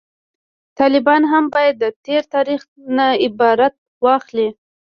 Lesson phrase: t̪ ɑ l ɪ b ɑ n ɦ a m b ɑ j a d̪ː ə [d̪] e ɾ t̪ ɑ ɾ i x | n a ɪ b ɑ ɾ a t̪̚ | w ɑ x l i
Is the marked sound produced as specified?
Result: no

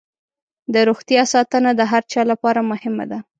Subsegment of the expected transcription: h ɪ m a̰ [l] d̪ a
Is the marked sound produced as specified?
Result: no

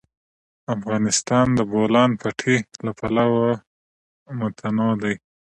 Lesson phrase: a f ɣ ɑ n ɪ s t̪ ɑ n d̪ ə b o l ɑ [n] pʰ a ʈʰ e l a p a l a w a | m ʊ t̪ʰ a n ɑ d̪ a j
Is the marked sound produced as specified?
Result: yes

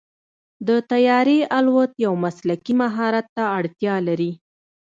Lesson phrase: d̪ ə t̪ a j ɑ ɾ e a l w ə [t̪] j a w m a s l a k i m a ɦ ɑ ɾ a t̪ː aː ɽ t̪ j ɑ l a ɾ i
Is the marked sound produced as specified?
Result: yes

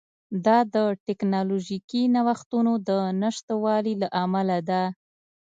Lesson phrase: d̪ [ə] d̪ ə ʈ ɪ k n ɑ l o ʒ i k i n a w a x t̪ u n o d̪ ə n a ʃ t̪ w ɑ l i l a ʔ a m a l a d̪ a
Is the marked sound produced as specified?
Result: no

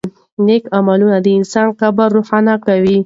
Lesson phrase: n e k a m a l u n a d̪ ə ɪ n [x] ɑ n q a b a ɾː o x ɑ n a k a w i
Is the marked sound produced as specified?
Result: no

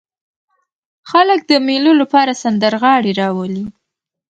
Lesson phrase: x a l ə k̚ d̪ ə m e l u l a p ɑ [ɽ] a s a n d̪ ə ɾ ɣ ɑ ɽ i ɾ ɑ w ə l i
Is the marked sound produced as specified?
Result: no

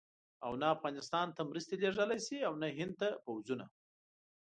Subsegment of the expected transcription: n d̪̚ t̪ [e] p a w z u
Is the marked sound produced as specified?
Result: no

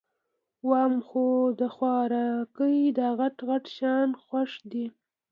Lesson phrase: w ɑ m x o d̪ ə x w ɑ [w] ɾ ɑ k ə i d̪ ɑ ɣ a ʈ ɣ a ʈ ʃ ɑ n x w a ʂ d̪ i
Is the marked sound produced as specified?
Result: no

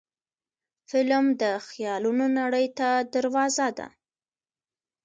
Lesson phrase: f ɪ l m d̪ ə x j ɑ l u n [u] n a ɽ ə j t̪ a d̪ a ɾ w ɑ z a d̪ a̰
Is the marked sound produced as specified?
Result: no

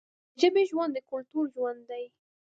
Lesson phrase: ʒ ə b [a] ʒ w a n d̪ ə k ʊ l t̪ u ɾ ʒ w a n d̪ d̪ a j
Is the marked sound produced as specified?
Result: no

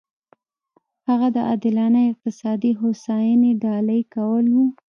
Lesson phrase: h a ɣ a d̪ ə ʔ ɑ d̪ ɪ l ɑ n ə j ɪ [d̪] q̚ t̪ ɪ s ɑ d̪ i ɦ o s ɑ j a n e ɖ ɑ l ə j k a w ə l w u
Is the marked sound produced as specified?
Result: no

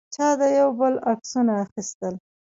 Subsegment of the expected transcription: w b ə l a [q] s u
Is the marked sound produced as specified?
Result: no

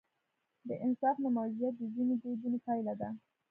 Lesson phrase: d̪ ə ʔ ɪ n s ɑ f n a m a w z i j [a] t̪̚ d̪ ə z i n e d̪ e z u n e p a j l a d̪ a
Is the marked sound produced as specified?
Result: yes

